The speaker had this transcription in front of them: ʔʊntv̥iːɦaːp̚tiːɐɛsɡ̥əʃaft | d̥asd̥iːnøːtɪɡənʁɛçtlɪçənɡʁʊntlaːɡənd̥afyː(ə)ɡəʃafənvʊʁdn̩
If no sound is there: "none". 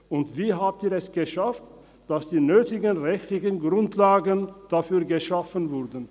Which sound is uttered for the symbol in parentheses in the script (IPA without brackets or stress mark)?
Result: ɐ